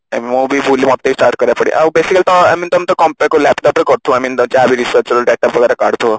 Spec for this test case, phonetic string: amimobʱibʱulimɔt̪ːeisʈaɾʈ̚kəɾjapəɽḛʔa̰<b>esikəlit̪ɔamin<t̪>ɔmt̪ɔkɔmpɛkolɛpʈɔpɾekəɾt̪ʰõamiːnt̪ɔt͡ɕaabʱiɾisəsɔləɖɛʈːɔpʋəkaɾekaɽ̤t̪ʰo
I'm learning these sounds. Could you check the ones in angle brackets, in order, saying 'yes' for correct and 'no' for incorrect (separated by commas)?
yes, yes